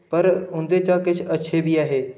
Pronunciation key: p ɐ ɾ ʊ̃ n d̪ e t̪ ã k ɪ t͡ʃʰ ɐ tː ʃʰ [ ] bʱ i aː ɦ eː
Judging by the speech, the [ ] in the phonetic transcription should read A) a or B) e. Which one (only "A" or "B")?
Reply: B